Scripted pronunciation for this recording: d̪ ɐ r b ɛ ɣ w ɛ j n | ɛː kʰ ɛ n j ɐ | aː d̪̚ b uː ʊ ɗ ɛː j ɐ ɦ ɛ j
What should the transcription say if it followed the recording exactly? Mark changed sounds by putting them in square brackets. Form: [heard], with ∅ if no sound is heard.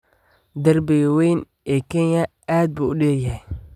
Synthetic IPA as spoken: d̪ ɐ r b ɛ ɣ w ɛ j n | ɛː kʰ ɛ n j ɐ | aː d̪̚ b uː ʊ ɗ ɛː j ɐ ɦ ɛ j